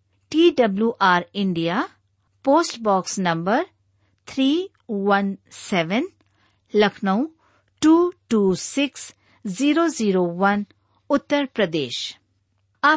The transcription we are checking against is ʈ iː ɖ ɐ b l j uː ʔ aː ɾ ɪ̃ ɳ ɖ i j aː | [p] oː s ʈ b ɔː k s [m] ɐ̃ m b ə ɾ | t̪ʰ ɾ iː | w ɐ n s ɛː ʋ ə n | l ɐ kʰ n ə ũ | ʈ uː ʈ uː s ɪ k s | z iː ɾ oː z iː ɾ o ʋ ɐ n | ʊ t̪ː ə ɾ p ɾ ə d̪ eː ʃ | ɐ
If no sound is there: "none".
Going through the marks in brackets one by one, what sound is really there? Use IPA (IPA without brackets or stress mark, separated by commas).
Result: p, n